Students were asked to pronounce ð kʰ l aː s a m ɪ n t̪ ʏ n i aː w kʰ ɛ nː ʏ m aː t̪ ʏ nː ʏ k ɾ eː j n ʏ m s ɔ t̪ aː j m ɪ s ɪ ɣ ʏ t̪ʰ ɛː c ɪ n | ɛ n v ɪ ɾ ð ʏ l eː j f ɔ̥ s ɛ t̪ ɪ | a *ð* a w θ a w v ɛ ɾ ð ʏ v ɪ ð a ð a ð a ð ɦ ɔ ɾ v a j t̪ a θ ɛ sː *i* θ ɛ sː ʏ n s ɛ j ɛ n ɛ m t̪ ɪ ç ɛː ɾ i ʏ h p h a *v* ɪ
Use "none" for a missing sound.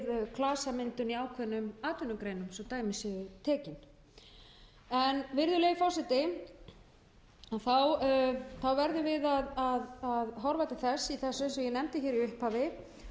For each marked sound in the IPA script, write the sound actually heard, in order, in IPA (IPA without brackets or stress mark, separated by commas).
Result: θ, i, v